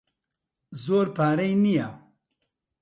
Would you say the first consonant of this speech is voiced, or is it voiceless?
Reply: voiced